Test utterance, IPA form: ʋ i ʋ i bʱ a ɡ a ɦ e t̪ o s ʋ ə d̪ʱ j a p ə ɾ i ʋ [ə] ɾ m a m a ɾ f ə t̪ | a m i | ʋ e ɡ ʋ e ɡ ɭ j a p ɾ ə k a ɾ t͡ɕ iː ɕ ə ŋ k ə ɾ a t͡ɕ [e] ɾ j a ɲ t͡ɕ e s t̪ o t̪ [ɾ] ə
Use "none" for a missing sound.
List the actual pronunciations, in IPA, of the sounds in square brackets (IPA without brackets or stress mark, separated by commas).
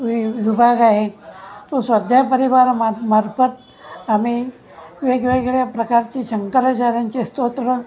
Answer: a, a, ɾ